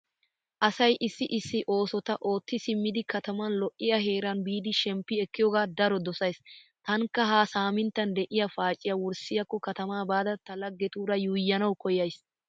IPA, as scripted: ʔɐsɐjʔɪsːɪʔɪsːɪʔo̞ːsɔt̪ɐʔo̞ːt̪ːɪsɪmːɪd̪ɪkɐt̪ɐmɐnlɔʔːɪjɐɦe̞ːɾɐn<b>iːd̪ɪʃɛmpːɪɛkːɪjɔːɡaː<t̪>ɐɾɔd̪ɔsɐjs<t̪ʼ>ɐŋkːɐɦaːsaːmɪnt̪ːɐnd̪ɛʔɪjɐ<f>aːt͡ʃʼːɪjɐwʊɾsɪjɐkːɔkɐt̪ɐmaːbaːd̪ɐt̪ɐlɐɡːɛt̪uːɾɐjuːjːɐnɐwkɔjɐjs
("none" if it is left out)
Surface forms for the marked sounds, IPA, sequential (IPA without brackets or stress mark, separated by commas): b, d̪, t̪, f